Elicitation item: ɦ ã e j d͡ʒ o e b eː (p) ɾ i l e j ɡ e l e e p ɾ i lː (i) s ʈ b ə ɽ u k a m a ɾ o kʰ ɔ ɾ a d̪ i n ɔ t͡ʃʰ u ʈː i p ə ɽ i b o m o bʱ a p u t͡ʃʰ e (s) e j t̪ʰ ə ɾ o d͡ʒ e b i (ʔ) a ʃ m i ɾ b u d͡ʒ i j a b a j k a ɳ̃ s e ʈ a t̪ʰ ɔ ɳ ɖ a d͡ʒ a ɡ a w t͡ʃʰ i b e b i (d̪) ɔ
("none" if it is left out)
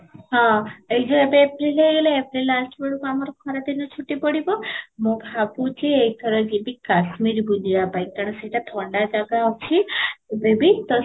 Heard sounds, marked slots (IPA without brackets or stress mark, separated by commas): p, a, none, k, t̪